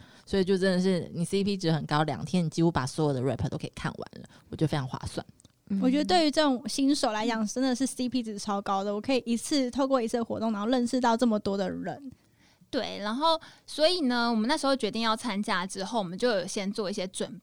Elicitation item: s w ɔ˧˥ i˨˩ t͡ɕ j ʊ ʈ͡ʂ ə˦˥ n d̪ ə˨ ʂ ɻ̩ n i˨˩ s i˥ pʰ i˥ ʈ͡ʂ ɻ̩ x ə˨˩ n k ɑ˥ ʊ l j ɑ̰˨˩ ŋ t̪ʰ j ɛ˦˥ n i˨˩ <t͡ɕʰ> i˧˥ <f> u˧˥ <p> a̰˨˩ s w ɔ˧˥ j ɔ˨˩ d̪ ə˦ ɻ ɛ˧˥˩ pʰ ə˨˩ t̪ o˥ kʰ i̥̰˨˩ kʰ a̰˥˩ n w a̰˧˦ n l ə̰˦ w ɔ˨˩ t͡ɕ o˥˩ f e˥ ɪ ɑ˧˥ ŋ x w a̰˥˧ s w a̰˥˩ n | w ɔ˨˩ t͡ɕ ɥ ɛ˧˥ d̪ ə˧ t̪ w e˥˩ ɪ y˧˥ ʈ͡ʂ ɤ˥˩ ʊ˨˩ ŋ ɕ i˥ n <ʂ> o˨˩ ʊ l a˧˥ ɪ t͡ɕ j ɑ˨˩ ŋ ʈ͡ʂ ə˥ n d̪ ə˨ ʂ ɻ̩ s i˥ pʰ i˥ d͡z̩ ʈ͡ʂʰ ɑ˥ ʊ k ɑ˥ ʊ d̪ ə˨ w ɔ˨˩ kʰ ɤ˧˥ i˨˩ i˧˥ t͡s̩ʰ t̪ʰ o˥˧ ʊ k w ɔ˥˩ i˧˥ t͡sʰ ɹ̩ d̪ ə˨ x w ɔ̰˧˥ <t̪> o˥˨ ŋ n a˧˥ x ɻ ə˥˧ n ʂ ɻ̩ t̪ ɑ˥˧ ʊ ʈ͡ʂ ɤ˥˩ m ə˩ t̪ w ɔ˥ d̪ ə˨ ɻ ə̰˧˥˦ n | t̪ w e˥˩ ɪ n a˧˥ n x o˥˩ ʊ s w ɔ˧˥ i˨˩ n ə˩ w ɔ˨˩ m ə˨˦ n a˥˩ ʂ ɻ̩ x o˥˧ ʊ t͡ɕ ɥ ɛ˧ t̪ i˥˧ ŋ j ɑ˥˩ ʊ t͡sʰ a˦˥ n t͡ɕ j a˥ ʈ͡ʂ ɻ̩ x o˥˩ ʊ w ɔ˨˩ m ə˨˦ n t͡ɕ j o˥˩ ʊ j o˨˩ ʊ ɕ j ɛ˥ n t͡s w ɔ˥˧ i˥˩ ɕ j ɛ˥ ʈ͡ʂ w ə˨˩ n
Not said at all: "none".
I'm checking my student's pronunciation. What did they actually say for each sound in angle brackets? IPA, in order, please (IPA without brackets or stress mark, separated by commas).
t͡ɕ, x, p, ʂ, t̪